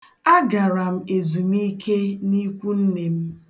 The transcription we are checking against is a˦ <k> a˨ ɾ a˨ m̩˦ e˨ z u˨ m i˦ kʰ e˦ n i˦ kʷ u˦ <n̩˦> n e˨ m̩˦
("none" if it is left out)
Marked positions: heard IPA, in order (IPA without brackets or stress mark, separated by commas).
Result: ɡ, n̩˦